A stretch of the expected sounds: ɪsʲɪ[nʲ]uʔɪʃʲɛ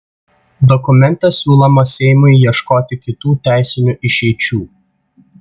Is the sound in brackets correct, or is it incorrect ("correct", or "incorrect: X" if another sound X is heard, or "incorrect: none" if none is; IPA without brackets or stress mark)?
correct